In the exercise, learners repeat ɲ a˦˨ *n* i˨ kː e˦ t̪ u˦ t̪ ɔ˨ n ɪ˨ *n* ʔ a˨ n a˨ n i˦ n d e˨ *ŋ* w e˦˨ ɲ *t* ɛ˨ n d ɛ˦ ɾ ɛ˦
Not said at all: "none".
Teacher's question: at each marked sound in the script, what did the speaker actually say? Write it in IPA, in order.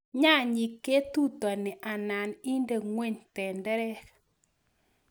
ɲ, none, ŋ, t

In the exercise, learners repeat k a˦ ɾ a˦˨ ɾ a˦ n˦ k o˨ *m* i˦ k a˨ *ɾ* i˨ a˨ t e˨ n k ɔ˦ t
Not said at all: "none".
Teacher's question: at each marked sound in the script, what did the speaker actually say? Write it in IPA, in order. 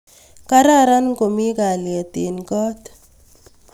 m, l

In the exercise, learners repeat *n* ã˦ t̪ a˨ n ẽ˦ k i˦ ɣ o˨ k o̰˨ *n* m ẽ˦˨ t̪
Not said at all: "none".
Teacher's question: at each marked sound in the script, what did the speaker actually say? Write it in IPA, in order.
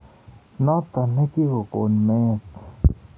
n, n

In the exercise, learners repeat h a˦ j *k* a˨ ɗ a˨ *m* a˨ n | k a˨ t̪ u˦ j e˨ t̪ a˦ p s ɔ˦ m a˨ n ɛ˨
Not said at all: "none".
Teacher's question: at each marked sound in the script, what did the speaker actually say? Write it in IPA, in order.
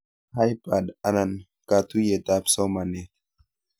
p, n

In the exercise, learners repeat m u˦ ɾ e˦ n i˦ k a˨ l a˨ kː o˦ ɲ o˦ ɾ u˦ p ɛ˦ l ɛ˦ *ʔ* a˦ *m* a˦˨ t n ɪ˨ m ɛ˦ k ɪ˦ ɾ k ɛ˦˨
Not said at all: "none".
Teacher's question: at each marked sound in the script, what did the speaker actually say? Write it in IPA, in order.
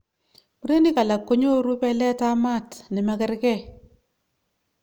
t, m

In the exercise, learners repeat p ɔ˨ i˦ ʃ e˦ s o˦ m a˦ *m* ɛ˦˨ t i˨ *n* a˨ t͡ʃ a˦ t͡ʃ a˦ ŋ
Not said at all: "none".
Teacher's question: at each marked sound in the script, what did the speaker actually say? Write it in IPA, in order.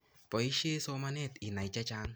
n, n

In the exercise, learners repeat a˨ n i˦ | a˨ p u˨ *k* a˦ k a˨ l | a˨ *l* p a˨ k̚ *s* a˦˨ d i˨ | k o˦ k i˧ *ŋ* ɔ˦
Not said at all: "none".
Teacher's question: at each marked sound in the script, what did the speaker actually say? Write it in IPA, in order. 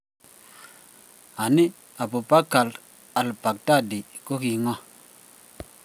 p, l, t, ŋ

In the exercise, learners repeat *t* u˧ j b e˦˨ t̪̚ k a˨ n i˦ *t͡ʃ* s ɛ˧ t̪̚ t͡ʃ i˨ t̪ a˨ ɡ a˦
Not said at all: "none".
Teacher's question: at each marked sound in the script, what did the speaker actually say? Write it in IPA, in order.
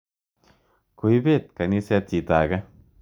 k, none

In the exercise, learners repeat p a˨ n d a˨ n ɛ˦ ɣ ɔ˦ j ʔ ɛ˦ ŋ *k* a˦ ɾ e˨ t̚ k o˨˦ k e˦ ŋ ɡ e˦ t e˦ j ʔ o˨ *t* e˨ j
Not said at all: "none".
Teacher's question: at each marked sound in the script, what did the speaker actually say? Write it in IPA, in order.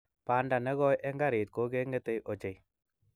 ɡ, t͡ʃ

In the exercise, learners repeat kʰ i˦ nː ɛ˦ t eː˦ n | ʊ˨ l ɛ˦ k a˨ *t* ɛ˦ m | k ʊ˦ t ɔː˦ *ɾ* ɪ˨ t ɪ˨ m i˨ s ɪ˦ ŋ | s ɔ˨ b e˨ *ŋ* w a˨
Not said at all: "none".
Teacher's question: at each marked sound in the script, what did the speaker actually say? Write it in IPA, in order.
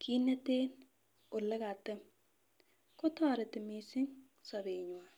t, ɾ, ɲ

